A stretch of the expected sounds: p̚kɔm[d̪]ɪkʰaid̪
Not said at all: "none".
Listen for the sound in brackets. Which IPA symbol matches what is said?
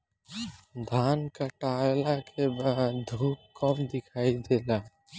d̪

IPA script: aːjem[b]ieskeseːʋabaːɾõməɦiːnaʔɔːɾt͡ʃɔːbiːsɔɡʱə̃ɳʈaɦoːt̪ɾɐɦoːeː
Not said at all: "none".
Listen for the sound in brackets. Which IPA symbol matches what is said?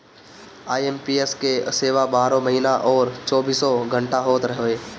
p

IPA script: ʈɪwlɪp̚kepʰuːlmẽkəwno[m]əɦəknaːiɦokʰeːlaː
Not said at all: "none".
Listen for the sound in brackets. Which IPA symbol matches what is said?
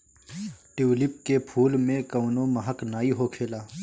m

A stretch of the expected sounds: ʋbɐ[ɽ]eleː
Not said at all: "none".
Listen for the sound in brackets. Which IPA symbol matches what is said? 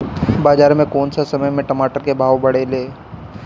ɽ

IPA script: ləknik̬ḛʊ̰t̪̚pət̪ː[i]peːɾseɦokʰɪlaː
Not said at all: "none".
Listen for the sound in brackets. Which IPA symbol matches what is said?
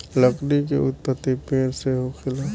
i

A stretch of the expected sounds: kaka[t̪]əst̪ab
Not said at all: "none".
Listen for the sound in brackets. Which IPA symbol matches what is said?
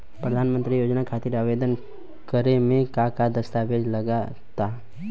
d̪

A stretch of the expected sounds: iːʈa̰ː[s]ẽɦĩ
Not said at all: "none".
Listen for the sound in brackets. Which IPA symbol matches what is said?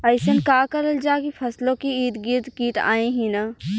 none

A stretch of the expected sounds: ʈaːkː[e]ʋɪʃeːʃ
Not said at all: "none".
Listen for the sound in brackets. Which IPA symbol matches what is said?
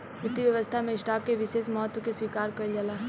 e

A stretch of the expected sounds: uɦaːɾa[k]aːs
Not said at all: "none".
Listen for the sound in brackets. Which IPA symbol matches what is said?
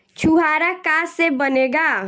k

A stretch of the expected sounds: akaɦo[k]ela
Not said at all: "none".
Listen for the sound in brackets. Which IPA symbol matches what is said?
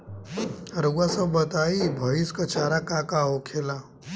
kʰ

